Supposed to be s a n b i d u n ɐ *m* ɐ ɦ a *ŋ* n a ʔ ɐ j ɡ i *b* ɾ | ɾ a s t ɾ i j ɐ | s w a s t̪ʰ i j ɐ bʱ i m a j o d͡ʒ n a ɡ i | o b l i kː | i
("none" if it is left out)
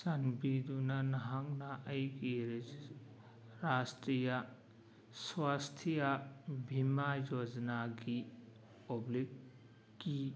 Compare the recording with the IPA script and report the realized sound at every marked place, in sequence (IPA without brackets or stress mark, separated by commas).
n, ŋ, none